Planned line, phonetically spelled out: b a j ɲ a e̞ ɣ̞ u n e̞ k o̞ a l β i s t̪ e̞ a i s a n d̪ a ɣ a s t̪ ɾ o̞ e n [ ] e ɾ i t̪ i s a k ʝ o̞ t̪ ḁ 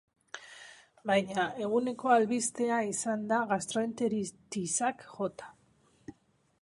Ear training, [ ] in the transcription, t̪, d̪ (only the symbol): t̪